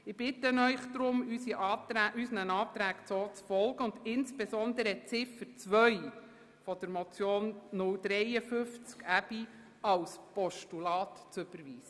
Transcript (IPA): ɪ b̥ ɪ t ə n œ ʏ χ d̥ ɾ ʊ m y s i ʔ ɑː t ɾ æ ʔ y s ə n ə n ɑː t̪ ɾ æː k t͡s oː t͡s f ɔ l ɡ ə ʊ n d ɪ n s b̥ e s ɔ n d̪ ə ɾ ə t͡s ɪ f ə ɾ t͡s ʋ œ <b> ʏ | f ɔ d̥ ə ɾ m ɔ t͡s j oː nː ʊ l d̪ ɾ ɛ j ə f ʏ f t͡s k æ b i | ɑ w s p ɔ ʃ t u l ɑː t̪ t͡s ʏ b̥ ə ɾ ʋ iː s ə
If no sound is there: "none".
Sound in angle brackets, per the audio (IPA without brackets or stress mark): none